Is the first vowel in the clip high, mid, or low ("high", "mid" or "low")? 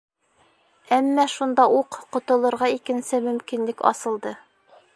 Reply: low